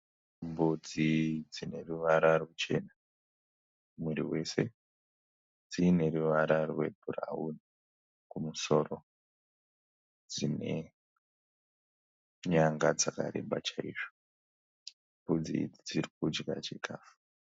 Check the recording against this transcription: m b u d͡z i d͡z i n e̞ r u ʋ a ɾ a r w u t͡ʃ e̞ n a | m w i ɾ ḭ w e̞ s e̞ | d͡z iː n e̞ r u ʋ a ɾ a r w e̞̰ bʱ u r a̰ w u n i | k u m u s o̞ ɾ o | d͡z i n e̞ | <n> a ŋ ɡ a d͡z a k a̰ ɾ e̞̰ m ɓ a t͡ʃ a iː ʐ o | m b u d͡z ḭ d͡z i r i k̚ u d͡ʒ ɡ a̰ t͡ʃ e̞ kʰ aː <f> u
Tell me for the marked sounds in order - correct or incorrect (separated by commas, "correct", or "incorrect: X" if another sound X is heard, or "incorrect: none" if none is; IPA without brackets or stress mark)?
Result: incorrect: ɲ, correct